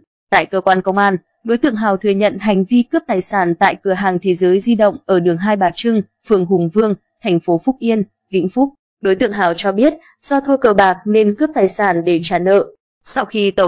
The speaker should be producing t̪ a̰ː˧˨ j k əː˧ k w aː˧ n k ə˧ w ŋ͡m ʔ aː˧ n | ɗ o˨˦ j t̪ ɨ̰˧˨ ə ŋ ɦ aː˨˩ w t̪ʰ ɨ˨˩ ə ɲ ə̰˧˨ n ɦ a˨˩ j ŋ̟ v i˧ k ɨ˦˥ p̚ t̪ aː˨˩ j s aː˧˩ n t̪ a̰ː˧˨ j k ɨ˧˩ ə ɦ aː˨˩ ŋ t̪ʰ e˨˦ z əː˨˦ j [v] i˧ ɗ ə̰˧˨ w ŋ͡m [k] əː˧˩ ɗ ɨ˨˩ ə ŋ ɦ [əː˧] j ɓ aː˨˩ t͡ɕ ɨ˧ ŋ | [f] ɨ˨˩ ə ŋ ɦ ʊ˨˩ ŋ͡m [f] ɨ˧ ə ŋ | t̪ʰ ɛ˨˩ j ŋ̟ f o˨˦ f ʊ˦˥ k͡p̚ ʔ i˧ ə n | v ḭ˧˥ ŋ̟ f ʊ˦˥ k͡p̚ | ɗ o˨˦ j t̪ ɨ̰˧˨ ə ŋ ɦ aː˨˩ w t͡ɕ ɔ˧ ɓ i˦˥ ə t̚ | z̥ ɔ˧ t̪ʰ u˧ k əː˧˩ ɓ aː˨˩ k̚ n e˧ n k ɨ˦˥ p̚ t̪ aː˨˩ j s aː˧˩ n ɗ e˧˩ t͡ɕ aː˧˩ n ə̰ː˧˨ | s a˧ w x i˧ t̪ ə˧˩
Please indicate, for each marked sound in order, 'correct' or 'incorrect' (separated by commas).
incorrect, incorrect, incorrect, correct, incorrect